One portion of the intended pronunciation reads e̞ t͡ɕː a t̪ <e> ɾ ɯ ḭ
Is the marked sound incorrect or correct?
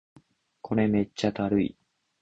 incorrect